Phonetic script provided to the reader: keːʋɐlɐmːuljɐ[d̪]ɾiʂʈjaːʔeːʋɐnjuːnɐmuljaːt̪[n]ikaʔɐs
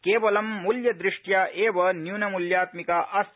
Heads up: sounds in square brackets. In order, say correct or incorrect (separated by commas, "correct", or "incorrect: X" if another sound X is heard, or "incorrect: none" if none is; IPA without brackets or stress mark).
correct, incorrect: m